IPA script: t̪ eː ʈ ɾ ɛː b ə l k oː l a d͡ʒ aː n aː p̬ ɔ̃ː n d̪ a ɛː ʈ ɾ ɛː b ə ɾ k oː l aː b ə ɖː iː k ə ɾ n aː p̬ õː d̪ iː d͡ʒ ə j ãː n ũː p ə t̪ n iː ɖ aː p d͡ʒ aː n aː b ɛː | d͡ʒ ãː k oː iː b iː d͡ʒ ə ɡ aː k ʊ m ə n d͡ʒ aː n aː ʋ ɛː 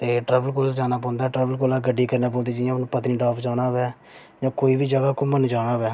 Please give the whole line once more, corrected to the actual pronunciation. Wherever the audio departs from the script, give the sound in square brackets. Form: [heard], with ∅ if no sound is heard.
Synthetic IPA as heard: t̪ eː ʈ ɾ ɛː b ə l k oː l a d͡ʒ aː n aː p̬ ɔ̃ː n d̪ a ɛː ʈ ɾ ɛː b ə [l] k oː l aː [ɡ] ə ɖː iː k ə ɾ n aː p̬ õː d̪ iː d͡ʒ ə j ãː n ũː p ə t̪ n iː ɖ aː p d͡ʒ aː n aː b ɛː | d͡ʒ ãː k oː iː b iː d͡ʒ ə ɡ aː k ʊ m ə n d͡ʒ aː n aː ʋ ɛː